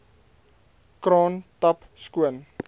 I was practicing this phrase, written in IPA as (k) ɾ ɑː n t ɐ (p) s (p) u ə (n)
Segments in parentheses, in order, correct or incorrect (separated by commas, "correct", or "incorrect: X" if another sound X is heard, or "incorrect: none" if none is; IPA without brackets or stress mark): correct, correct, incorrect: k, correct